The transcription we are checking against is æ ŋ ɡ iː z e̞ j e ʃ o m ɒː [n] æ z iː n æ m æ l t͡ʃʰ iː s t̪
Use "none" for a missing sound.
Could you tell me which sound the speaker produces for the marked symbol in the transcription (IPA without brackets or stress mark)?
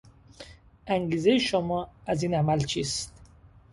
none